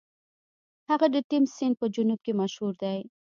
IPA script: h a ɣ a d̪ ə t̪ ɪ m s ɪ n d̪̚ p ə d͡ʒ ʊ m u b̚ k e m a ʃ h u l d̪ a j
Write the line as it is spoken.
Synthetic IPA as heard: h a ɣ a d̪ ə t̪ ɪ m s ɪ n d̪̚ p ə d͡ʒ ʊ n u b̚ k e m a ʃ h u ɾ d̪ a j